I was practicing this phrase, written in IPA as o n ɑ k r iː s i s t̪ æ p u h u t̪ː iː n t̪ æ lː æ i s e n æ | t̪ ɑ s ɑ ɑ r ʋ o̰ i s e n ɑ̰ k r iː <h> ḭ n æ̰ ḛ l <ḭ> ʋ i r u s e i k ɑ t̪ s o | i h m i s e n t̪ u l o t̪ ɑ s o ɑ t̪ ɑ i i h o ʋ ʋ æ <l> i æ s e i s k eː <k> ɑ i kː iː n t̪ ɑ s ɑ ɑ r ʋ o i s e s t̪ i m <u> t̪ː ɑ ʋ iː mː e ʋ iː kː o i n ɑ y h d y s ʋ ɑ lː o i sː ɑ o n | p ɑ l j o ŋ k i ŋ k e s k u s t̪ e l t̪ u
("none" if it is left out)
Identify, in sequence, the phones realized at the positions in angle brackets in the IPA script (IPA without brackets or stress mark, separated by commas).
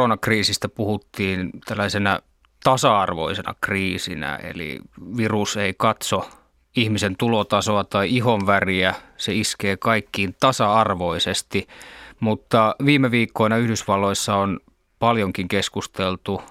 s, ḭ, r, k, u